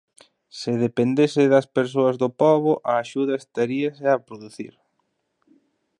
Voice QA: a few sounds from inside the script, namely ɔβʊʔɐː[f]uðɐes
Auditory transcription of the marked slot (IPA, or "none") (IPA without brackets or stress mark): ʃ